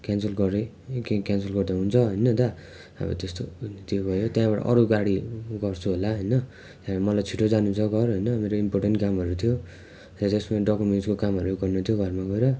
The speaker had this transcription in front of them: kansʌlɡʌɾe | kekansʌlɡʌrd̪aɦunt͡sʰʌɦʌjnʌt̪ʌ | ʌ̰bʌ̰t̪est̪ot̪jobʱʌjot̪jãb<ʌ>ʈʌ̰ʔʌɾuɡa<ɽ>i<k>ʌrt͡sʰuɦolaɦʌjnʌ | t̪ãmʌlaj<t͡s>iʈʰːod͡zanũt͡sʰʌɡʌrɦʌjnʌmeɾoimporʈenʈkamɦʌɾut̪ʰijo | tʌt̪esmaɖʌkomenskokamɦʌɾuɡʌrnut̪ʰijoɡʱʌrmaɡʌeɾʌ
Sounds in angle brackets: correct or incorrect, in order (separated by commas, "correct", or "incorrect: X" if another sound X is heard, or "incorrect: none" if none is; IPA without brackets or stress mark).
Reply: incorrect: a, correct, incorrect: ɡ, incorrect: t͡sʰ